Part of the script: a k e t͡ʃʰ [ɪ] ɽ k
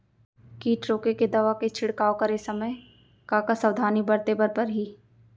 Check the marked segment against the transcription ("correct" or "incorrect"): correct